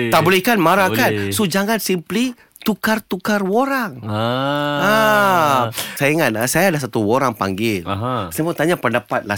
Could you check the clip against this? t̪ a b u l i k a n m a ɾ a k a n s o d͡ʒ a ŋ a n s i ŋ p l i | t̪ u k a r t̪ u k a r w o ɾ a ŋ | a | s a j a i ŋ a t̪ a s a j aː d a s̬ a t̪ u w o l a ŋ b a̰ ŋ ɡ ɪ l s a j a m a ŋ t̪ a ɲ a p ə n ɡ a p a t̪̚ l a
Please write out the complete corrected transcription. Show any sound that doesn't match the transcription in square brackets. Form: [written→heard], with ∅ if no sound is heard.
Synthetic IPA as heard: t̪ a b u l i k a n m a ɾ a k a n s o d͡ʒ a ŋ a n s i [ŋ→m] p l i | t̪ u k a r t̪ u k a r w o ɾ a ŋ | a | s a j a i ŋ a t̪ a s a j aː d a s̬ a t̪ u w o [l→ɾ] a ŋ [b→p] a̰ ŋ ɡ ɪ l s a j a m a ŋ t̪ a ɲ a p ə n [ɡ→d] a p a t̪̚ l a